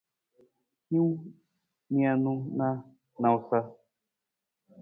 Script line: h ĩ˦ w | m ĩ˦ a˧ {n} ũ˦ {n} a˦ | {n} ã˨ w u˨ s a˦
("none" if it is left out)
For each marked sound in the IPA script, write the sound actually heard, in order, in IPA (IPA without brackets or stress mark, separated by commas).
n, n, n